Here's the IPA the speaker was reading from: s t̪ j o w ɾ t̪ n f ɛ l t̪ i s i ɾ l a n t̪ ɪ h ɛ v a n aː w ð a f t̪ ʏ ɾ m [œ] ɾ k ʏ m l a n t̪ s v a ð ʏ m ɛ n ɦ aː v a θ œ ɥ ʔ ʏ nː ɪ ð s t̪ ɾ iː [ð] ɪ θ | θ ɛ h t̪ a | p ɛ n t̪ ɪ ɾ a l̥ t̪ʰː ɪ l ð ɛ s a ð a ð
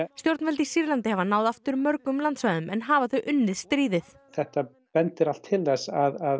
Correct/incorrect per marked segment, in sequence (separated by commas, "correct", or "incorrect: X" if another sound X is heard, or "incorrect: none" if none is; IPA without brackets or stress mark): correct, correct